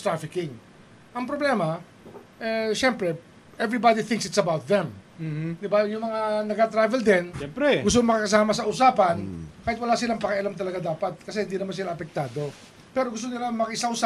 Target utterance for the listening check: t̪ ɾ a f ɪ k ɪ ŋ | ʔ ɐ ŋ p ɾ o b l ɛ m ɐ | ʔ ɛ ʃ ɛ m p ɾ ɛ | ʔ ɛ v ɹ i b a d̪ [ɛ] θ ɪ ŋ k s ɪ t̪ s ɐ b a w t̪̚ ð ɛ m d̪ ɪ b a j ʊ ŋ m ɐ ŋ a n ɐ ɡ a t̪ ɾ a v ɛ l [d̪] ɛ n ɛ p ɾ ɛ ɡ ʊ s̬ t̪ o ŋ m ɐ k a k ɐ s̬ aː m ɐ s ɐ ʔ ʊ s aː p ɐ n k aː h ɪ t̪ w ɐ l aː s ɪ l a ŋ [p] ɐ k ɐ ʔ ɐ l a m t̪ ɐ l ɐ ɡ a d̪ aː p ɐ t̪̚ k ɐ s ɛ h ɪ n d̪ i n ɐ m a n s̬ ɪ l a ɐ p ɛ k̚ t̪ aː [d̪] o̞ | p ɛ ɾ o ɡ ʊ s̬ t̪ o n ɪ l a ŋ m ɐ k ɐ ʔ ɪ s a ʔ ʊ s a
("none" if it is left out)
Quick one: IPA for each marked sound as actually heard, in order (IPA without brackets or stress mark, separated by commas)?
i, d̪, p, d̪